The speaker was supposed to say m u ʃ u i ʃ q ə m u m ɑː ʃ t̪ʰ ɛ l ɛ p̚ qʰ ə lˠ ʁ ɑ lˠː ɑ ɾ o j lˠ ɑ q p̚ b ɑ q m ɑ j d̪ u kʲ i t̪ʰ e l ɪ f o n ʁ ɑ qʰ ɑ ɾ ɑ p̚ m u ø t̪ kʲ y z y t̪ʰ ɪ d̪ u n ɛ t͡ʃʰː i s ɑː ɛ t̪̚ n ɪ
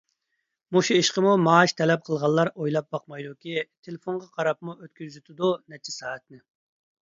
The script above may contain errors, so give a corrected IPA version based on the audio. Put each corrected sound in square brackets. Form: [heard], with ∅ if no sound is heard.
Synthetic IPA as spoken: m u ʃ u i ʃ q ə m u m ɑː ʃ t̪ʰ ɛ l ɛ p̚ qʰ ə lˠ ʁ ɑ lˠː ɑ ɾ o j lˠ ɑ [∅] p̚ b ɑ q m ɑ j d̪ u kʲ i t̪ʰ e l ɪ f o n ʁ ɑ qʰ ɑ ɾ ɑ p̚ m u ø t̪ kʲ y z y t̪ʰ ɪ d̪ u n ɛ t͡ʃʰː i s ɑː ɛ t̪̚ n ɪ